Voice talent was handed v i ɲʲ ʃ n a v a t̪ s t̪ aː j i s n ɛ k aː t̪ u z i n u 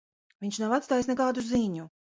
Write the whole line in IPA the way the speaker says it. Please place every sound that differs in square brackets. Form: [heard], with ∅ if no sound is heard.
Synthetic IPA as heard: v i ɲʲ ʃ n a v a t̪ s t̪ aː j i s n ɛ k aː [d̪] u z i [ɲ] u